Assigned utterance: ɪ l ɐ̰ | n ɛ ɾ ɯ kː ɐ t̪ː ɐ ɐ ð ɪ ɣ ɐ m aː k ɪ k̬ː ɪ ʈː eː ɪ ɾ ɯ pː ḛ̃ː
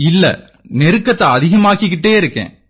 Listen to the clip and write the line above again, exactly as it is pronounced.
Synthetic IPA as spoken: ɪ lː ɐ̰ | n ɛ ɾ ɯ kː ɐ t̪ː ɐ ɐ ð ɪ ɣ ɐ m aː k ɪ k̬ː ɪ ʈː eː ɪ ɾ ɯ kː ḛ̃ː